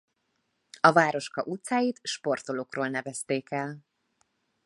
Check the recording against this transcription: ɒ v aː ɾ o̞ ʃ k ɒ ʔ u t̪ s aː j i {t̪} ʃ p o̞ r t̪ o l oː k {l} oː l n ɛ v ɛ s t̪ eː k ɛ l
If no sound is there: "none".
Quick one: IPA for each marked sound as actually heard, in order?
t̪, r

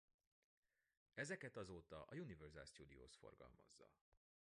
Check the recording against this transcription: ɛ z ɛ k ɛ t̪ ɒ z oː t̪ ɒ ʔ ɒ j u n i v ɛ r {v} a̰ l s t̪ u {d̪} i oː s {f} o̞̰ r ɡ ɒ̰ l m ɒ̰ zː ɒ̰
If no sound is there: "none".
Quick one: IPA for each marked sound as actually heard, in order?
z, d̪, f

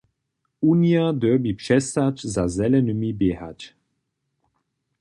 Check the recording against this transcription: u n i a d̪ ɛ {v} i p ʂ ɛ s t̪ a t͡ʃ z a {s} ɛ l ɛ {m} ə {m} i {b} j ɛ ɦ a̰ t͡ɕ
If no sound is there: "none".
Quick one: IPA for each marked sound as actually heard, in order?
b, z, n, m, b

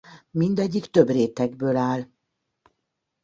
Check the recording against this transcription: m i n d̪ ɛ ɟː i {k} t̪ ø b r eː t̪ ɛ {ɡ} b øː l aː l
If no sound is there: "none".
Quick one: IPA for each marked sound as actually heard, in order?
k, ɡ

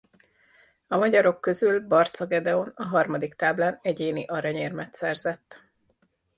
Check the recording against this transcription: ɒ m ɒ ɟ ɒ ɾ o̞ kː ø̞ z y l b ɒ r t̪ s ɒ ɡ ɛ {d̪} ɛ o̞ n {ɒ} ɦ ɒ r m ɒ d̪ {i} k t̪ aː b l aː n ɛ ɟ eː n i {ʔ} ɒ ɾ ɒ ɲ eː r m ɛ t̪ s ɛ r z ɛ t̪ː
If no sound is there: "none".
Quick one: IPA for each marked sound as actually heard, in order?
d̪, ɒ, i, ʔ

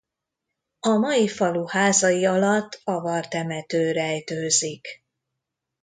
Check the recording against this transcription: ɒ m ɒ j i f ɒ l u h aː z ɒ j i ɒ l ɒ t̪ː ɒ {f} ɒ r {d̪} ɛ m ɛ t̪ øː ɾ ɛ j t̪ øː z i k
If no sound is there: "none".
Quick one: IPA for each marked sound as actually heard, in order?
v, t̪

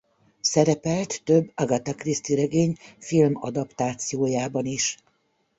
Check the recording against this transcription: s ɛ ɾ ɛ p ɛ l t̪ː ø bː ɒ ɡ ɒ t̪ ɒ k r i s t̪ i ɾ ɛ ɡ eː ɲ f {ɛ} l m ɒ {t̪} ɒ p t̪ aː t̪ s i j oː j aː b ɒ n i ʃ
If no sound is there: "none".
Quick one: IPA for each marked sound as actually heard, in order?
i, d̪

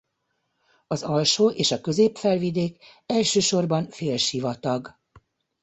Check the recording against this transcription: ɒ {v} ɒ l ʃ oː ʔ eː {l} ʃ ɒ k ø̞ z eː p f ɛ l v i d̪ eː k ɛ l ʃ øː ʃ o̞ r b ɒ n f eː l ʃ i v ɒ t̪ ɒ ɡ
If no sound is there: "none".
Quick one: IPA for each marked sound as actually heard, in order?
z, none

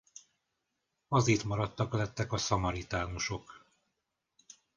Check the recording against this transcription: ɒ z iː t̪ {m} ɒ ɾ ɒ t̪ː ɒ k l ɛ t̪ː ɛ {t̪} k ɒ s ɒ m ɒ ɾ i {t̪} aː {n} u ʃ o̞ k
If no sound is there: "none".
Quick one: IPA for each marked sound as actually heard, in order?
m, none, t̪, n

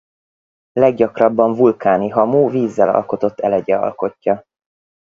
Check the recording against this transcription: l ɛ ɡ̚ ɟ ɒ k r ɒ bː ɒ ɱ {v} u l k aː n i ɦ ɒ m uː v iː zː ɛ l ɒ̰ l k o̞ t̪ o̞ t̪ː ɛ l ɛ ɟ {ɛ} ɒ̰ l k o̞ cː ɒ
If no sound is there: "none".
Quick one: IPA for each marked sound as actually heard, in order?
v, ɛ

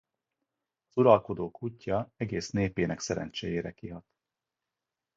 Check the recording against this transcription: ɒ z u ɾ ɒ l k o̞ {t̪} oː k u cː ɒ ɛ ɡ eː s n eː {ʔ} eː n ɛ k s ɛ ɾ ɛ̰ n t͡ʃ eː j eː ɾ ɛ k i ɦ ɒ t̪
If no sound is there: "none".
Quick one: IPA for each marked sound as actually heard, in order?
d̪, p

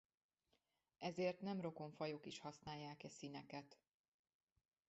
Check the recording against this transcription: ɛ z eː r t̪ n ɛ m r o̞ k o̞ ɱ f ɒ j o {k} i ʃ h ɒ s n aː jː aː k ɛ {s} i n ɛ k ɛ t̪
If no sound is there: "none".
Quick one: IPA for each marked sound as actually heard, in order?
k, s

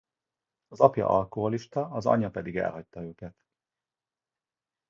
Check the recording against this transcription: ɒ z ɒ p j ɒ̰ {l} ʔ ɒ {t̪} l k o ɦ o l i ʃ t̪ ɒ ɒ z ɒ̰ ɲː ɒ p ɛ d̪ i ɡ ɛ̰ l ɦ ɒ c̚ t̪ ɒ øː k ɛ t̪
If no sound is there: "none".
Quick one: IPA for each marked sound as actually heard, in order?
none, none

